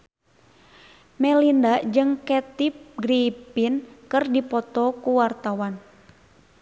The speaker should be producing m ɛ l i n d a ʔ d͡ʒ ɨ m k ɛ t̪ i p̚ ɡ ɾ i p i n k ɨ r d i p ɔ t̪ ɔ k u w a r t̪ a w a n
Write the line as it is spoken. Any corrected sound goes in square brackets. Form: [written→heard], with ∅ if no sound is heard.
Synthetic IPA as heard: m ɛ l i n d a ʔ d͡ʒ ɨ [m→ŋ] k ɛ t̪ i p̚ ɡ ɾ i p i n k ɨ r d i p ɔ t̪ ɔ k u w a r t̪ a w a n

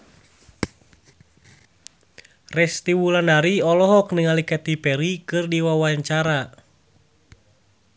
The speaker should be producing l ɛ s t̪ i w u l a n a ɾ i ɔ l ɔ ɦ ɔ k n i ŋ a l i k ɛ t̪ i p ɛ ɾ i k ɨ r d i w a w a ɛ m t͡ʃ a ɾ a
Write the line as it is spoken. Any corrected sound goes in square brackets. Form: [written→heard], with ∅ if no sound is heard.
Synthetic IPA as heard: [l→r] ɛ s t̪ i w u l a n a ɾ i ɔ l ɔ ɦ ɔ k n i ŋ a l i k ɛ t̪ i p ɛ ɾ i k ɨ r d i w a w a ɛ [m→ɲ] t͡ʃ a ɾ a

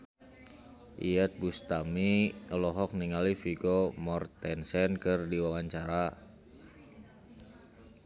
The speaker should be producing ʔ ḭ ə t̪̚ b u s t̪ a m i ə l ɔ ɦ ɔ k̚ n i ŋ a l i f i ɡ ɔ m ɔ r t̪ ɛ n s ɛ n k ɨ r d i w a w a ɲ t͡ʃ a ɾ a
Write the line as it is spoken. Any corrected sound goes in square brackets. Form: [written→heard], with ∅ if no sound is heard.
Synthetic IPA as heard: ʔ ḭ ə t̪̚ b u s t̪ a m i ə l ɔ ɦ ɔ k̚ n i ŋ a l i f i ɡ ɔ m ɔ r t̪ ɛ n s ɛ n k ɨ r d i w a w a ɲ t͡ʃ a ɾ a

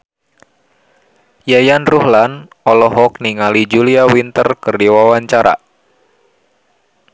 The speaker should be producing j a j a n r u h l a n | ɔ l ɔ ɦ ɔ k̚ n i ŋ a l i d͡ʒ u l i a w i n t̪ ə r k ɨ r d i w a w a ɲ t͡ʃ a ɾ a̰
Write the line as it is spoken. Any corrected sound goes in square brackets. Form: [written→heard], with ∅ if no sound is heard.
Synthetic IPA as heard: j a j a n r u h l a n | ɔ l ɔ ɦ ɔ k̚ n i ŋ a l i d͡ʒ u l i a w i n t̪ ə r k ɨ r d i w a w a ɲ t͡ʃ a ɾ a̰

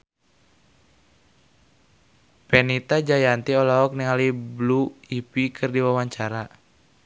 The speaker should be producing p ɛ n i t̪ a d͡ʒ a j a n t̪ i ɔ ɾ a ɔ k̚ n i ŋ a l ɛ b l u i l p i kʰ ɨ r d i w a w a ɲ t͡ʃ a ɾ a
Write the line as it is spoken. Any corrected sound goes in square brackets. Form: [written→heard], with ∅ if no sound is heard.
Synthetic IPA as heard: p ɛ n i t̪ a d͡ʒ a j a n t̪ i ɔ [ɾ→l] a ɔ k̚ n i ŋ a l [ɛ→i] b l u i [l→∅] p i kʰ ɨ r d i w a w a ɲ t͡ʃ a ɾ a

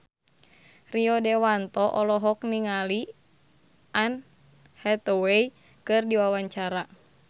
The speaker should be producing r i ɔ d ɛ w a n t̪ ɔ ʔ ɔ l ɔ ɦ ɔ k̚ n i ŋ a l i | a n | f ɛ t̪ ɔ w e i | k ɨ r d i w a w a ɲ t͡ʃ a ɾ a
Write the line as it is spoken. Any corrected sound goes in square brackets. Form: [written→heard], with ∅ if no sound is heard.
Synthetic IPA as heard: r i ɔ d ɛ w a n t̪ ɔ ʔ ɔ l ɔ ɦ ɔ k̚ n i ŋ a l i | a n | [f→h] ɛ t̪ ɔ w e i | k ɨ r d i w a w a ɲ t͡ʃ a ɾ a

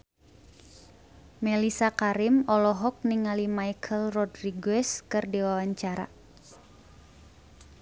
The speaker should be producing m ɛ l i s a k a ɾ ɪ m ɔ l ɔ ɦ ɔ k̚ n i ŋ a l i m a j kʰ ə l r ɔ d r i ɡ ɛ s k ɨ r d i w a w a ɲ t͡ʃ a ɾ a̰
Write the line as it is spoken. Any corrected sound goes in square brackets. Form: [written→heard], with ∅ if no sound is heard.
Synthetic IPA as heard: m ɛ l i s a k a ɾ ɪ m ɔ l ɔ ɦ ɔ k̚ n i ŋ a l i m a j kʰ ə l r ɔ d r i ɡ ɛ s k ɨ r d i w a w a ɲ t͡ʃ a ɾ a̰

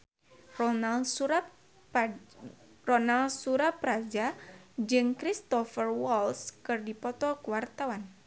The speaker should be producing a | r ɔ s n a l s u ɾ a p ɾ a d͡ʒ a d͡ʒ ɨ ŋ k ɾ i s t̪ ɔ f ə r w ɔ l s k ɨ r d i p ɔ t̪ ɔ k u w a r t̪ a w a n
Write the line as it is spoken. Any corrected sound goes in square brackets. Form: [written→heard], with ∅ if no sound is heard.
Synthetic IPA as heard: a | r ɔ [s→∅] n a l s u ɾ a p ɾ a d͡ʒ a d͡ʒ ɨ ŋ k ɾ i s t̪ ɔ f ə r w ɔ l s k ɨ r d i p ɔ t̪ ɔ k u w a r t̪ a w a n

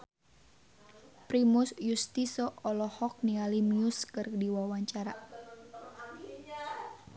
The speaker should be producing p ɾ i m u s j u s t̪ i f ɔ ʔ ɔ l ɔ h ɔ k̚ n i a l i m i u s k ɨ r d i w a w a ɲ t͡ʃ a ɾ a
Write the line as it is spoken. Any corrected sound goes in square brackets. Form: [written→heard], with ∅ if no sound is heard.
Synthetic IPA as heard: p ɾ i m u s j u s t̪ i [f→s] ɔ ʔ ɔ l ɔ h ɔ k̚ n i a l i m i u s k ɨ r d i w a w a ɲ t͡ʃ a ɾ a

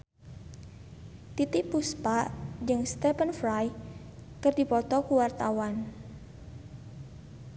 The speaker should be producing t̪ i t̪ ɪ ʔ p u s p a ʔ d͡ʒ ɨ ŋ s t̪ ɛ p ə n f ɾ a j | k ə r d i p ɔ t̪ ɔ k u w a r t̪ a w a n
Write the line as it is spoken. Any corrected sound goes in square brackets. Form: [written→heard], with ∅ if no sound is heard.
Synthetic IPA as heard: t̪ i t̪ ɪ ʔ p u s p a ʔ d͡ʒ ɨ ŋ s t̪ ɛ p ə n f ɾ a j | k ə r d i p ɔ t̪ ɔ k u w a r t̪ a w a n

